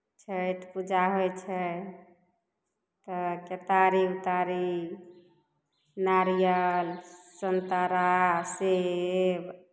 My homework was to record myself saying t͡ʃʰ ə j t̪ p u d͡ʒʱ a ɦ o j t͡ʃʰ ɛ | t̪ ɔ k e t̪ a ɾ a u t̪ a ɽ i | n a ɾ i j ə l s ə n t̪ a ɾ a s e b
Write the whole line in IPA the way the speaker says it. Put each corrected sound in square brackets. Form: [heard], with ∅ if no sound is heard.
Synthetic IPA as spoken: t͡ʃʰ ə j t̪ p u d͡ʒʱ a ɦ o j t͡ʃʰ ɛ | t̪ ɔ k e t̪ a ɾ [i] u t̪ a [ɾ] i | n a ɾ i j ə l s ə n t̪ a ɾ a s e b